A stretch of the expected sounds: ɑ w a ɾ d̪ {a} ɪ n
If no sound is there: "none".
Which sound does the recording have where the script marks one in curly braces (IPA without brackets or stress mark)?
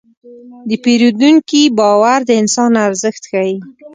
ə